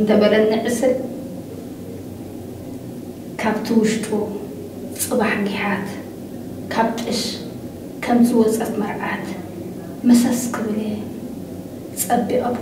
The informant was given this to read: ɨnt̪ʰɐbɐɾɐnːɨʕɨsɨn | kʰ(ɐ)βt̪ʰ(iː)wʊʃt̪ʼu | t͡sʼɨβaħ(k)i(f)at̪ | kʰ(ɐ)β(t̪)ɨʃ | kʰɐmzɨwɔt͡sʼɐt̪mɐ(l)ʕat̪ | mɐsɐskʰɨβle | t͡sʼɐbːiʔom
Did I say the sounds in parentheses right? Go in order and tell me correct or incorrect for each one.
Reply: incorrect, incorrect, incorrect, incorrect, incorrect, incorrect, incorrect

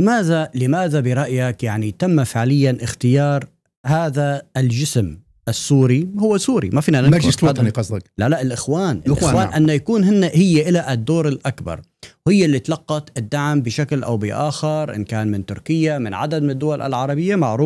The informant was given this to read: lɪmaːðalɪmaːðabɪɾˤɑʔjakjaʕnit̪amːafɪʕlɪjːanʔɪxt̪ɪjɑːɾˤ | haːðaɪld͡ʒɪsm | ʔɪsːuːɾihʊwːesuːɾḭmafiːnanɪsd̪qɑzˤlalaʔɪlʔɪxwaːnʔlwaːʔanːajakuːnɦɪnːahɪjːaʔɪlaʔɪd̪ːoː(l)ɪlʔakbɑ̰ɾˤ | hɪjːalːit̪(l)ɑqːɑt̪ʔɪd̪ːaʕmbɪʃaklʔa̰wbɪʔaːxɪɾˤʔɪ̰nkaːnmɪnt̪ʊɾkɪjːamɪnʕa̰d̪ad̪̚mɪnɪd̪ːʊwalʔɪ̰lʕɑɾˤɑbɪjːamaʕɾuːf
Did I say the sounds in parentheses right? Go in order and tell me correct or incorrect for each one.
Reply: incorrect, correct

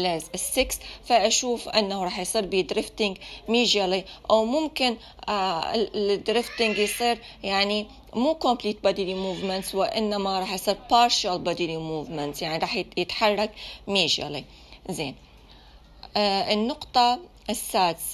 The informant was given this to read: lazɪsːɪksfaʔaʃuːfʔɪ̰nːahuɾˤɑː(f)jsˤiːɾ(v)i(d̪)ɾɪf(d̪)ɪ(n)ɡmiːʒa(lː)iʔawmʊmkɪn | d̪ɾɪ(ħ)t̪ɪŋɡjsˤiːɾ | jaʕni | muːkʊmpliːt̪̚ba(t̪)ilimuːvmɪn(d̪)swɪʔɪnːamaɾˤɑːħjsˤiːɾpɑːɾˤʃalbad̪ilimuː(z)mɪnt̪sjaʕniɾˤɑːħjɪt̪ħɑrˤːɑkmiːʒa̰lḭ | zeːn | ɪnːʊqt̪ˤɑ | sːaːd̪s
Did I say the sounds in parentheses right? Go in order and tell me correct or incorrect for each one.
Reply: incorrect, incorrect, correct, incorrect, incorrect, incorrect, incorrect, incorrect, incorrect, incorrect

